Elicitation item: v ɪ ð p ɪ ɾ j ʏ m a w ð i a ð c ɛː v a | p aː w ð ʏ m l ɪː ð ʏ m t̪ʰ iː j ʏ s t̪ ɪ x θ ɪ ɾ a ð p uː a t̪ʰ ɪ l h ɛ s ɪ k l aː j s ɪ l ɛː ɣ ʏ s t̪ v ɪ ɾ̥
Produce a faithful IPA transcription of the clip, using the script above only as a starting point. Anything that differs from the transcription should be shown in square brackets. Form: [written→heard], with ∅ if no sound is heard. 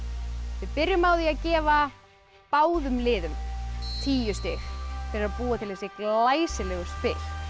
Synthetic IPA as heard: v ɪ ð p ɪ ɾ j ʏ m a w ð i a ð c ɛː v a | p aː w ð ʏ m l ɪː ð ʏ m t̪ʰ iː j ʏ s t̪ ɪ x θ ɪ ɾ a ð p uː a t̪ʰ ɪ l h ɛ s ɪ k l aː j s ɪ l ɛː ɣ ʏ s t̪ [v→f] ɪ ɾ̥